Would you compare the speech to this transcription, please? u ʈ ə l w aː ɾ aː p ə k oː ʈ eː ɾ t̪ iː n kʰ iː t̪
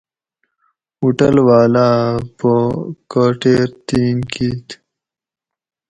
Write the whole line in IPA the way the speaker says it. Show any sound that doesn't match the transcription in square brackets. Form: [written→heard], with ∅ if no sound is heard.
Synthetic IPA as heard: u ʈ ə l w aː [ɾ→l] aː p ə k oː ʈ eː ɾ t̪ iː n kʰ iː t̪

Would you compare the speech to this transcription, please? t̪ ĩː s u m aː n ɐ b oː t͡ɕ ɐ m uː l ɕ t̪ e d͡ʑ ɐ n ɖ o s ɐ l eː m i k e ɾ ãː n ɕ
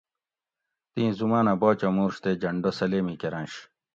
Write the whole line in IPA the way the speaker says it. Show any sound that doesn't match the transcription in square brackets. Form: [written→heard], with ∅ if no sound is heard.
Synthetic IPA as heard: t̪ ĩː [s→z] u m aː n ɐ b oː t͡ɕ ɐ m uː [l→ɾ] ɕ t̪ e d͡ʑ ɐ [n→ɳ] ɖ o s ɐ l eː m i k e ɾ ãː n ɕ

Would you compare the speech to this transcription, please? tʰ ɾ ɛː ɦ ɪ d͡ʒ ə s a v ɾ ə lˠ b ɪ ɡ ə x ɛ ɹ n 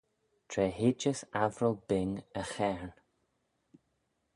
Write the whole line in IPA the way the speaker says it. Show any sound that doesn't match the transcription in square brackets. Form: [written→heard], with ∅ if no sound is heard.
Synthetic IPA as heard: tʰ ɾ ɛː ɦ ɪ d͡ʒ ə s a v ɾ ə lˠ b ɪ [ɡ→ŋ] ə x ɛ ɹ n

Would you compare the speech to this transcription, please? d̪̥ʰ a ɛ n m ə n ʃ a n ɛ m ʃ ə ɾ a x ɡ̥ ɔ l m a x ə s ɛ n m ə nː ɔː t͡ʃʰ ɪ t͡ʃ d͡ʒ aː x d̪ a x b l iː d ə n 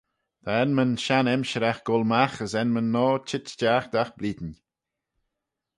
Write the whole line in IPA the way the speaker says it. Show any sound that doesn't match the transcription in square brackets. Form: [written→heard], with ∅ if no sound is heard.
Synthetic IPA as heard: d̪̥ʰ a ɛ n m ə n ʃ a n ɛ m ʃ ə ɾ a x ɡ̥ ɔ l m a x ə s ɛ n m ə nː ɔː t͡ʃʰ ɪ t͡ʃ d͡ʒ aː x d̪ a x b l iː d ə n

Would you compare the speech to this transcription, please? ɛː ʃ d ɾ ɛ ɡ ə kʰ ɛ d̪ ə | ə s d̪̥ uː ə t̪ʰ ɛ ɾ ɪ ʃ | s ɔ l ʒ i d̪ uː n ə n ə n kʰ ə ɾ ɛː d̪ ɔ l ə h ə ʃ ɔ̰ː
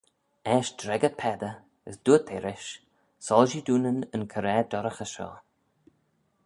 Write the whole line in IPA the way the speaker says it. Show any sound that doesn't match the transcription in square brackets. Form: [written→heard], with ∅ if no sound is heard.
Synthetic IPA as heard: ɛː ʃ d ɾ ɛ ɡ ə [kʰ→pʰ] ɛ d̪ ə | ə s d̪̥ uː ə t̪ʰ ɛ ɾ ɪ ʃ | s ɔ l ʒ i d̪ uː n ə n ə n kʰ ə ɾ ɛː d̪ ɔ [l→ɾ] ə [h→x] ə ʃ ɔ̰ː

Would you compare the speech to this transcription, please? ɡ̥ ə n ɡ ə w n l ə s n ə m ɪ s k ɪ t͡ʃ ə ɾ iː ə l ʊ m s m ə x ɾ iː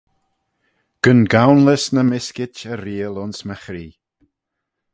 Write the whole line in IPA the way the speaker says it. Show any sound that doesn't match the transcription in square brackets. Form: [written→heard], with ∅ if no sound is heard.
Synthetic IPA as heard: ɡ̥ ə n ɡ [ə→a] w n l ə s n ə m ɪ s k ɪ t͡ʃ ə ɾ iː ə l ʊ [m→n] s m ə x ɾ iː

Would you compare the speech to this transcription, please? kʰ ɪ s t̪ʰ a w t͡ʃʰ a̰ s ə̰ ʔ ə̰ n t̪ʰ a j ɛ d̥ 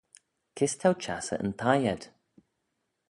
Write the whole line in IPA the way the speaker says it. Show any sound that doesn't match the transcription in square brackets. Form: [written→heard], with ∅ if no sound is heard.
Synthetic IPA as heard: kʰ ɪ s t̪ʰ a w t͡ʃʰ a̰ s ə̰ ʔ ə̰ n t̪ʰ a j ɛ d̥

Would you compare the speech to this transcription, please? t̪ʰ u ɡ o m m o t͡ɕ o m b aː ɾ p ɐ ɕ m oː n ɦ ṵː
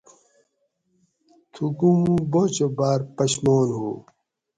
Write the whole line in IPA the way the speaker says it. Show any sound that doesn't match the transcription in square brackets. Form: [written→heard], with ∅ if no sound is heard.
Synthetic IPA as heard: t̪ʰ u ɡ [o→u] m [m→b] o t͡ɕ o [m→∅] b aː ɾ p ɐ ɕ m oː n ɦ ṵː

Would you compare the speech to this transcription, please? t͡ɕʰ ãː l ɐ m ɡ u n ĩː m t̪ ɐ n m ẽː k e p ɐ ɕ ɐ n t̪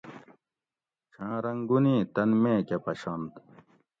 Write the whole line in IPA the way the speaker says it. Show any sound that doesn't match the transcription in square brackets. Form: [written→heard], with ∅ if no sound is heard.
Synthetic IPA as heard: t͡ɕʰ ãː [l→ɾ] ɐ [m→ŋ] ɡ u n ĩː [m→∅] t̪ ɐ n m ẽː k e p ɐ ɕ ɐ n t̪

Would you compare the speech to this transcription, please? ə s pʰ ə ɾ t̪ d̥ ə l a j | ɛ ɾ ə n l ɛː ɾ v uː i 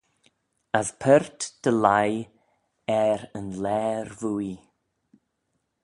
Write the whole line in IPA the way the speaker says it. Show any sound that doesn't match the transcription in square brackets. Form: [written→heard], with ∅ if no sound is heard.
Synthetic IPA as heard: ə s pʰ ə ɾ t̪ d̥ ə l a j | ɛ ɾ ə n l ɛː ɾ v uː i

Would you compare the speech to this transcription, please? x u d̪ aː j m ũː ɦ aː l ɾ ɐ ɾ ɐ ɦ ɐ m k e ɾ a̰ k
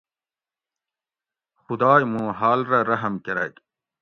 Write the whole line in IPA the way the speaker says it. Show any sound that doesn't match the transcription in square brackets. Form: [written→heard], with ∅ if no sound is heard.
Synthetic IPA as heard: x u d̪ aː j m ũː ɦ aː l ɾ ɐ ɾ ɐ ɦ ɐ m k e ɾ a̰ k

